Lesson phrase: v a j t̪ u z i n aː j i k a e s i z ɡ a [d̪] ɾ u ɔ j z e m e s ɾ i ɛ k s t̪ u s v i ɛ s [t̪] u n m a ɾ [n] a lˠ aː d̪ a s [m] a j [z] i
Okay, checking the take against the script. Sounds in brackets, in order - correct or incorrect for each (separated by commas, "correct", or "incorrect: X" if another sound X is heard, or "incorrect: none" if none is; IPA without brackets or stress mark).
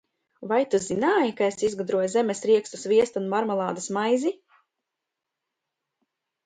correct, correct, incorrect: m, correct, correct